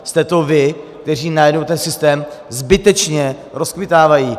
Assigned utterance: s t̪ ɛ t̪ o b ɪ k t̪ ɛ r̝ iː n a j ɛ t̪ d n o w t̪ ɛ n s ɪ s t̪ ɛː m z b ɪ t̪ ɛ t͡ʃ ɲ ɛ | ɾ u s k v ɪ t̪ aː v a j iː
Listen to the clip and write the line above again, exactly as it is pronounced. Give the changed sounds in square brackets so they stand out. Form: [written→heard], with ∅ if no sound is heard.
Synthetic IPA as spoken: s t̪ ɛ t̪ o [b→v] ɪ k t̪ ɛ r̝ iː n a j ɛ [t̪→∅] d n o w t̪ ɛ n s ɪ s t̪ ɛː m z b ɪ t̪ ɛ t͡ʃ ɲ ɛ | ɾ [u→o] s k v ɪ t̪ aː v a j iː